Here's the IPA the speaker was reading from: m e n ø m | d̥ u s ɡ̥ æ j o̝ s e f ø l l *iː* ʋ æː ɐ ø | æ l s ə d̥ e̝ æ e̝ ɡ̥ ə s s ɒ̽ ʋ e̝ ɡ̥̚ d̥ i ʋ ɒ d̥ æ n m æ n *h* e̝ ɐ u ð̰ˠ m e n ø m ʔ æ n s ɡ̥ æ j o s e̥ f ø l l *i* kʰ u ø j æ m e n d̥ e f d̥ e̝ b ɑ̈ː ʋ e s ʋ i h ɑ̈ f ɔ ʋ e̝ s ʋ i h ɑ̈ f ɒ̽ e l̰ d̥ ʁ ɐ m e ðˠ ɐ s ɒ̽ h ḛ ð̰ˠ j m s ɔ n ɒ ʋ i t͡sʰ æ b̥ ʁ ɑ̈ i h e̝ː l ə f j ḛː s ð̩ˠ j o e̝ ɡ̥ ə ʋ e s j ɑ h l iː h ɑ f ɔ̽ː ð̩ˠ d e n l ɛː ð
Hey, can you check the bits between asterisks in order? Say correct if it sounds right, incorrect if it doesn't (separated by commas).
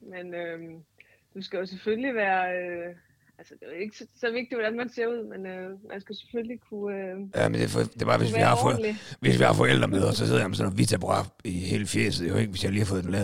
incorrect, incorrect, correct